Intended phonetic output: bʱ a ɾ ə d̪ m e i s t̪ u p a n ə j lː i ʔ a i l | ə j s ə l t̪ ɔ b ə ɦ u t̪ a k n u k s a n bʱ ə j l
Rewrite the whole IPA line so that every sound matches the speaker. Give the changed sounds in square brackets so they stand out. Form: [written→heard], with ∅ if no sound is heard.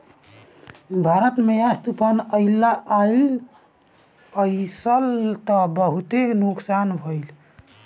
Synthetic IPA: bʱ a ɾ ə [d̪→t̪] m e [i→a] s t̪ u p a n ə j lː [i→a] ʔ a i l | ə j s ə l t̪ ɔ b ə ɦ u t̪ [a→e] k n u k s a n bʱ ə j l